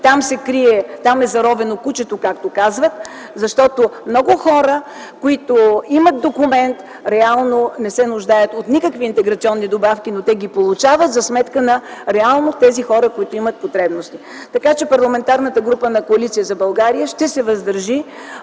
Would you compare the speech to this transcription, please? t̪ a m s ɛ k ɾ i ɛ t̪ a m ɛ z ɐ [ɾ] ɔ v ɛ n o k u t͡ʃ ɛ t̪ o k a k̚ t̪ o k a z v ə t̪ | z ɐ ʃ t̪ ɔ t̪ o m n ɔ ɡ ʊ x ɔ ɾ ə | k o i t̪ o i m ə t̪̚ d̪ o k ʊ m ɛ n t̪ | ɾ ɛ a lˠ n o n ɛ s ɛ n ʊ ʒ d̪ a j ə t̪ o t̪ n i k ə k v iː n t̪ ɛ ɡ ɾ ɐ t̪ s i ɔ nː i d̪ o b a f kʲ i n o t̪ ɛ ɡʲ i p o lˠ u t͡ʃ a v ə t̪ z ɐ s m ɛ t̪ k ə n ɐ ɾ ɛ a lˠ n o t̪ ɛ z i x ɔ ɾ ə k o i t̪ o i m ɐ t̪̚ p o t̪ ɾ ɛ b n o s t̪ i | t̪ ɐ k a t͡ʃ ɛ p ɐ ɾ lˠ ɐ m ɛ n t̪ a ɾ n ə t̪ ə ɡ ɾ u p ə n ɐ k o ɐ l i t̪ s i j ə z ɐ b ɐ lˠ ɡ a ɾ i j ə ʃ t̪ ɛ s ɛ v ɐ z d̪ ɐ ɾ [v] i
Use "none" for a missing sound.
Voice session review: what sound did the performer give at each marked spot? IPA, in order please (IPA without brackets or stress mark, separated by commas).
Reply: ɾ, ʒ